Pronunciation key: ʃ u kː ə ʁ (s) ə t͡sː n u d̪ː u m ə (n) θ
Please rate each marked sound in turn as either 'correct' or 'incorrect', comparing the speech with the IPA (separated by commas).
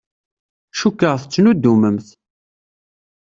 incorrect, incorrect